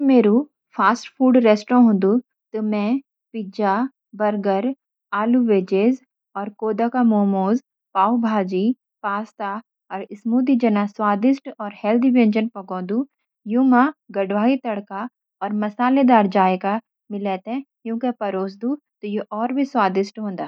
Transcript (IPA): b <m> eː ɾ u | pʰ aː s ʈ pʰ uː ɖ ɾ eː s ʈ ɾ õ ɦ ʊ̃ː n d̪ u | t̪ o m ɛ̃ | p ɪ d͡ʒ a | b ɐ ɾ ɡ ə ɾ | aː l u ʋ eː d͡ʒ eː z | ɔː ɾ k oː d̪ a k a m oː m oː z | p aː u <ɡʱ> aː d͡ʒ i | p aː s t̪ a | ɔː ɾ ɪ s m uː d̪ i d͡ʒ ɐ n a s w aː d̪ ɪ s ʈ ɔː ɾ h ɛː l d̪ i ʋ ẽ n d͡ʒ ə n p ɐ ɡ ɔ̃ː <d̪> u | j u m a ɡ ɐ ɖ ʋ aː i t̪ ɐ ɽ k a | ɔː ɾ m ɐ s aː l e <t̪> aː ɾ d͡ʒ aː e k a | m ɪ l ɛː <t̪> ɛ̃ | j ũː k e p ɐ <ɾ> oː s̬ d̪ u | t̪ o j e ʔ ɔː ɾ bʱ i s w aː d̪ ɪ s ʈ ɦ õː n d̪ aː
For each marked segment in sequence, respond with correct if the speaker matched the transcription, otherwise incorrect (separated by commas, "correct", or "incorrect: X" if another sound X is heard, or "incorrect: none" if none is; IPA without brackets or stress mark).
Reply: correct, incorrect: bʱ, correct, incorrect: d̪, correct, correct